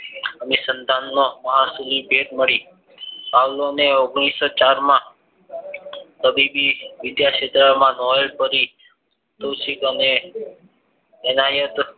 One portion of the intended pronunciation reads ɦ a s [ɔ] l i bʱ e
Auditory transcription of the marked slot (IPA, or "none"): u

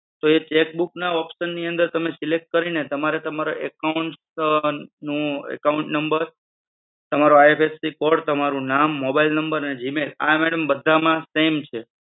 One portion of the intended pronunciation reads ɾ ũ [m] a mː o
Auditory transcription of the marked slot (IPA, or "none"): n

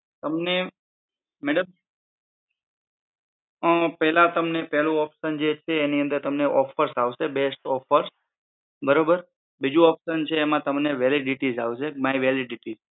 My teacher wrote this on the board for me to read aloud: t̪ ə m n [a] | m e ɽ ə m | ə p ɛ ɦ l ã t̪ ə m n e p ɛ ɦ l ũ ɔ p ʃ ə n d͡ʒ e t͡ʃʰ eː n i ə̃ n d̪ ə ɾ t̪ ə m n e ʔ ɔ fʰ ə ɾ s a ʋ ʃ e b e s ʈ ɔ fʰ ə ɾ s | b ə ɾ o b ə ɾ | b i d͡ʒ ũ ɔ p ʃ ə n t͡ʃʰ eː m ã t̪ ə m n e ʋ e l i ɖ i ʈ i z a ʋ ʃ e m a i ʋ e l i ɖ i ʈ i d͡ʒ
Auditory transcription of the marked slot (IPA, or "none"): e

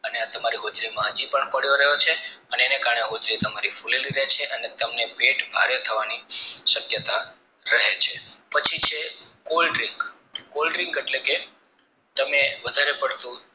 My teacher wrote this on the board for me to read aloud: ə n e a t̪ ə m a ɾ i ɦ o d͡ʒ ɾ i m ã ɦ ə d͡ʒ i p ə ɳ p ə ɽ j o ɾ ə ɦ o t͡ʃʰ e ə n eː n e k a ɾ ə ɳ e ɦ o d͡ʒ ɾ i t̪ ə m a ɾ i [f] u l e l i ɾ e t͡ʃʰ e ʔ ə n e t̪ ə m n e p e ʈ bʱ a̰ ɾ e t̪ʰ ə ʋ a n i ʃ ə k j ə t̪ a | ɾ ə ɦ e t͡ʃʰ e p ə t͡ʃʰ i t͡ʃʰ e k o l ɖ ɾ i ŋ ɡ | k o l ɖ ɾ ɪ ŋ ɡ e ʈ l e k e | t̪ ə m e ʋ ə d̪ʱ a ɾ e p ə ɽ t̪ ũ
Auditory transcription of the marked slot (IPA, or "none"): f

